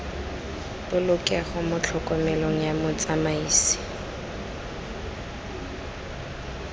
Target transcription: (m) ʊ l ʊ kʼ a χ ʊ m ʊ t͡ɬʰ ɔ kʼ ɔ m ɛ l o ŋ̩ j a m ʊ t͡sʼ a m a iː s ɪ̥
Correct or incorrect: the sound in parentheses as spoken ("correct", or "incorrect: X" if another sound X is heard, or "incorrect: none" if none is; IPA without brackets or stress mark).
incorrect: b